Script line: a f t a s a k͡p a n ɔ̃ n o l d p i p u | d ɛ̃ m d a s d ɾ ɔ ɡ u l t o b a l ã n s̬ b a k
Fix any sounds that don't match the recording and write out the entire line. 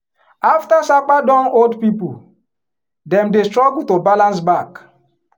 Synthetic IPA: a f t a s a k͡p a d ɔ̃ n o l d p i p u | d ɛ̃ m d e s t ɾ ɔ ɡ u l t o b a l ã n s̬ b a k